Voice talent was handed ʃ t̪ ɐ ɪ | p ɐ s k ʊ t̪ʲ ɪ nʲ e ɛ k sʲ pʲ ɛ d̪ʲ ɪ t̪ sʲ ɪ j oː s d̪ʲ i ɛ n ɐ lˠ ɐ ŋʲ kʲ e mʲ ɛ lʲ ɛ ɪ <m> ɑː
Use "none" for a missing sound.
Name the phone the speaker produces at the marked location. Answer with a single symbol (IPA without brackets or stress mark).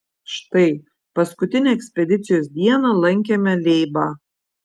b